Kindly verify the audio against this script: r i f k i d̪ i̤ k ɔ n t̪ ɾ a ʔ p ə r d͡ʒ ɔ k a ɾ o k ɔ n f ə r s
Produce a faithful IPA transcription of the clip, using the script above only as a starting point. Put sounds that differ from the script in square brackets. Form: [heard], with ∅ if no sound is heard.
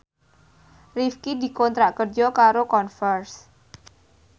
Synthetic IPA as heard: r i f k i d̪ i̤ k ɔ n t̪ ɾ a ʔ [k] ə r d͡ʒ ɔ k a ɾ o k ɔ n f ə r s

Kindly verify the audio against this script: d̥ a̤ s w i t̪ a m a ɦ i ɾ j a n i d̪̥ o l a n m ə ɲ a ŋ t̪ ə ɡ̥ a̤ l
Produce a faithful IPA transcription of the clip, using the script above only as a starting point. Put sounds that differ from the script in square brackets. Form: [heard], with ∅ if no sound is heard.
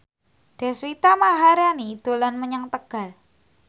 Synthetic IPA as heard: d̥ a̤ s w i t̪ a m a ɦ [a] ɾ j a n i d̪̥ o l a n m ə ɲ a ŋ t̪ ə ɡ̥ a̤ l

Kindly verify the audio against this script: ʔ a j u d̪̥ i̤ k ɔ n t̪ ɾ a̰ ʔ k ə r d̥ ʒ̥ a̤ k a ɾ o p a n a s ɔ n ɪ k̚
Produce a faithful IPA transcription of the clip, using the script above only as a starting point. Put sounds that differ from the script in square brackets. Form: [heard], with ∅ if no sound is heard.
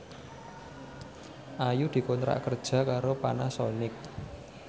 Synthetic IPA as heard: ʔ a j u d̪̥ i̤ k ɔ n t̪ ɾ a̰ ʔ k ə r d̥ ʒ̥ a̤ k a ɾ o p a n a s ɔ n ɪ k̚

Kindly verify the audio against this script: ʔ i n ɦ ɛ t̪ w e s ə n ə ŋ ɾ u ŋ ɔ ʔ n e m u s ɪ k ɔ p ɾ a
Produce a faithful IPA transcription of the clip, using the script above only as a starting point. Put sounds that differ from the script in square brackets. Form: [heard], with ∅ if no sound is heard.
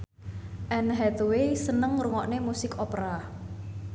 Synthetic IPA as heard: ʔ [ɛ] n ɦ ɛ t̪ w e s ə n ə ŋ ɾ u ŋ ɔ ʔ n e m u s ɪ k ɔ p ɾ a

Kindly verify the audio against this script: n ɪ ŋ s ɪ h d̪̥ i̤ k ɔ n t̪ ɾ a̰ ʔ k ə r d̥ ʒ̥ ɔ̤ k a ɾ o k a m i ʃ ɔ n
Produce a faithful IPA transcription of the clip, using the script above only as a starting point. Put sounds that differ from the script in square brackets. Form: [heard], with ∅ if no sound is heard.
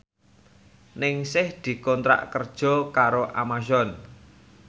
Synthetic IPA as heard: n ɪ ŋ s ɪ h d̪̥ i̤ k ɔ n t̪ ɾ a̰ ʔ k ə r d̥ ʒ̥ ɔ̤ k a ɾ o [ʔ] a m [a] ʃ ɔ n

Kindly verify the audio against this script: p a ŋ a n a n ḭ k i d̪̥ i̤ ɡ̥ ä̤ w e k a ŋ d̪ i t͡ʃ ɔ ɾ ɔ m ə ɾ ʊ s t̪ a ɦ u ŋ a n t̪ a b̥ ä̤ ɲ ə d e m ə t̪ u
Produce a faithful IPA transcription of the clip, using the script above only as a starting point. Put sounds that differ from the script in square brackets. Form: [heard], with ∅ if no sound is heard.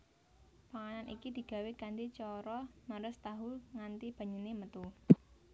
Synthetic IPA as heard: p a ŋ a n a n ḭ k i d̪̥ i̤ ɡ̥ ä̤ w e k a [n] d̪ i t͡ʃ ɔ ɾ ɔ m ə ɾ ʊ s t̪ a ɦ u ŋ a n t̪ [i] b̥ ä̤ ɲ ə [n] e m ə t̪ u

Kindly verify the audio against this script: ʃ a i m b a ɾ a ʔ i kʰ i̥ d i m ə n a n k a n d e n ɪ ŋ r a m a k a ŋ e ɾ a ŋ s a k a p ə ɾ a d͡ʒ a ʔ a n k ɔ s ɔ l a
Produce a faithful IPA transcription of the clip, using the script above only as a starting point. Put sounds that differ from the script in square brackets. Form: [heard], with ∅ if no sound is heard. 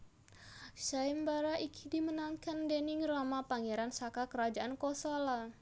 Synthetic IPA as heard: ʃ a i m b a ɾ a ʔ i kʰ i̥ d i m ə n a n k a n d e n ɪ ŋ r a m a [p] a ŋ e ɾ a [n] s a k a [k] ə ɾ a d͡ʒ a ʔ a n k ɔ s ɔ l a

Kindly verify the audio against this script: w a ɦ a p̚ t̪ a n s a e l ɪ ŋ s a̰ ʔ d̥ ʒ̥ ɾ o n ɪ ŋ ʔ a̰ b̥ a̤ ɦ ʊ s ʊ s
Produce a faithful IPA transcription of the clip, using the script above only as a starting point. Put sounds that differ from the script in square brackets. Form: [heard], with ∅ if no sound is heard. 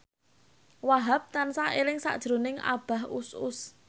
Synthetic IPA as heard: w a ɦ a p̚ t̪ a n s a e l ɪ ŋ s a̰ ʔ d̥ ʒ̥ ɾ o n ɪ ŋ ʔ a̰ b̥ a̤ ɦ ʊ s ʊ s

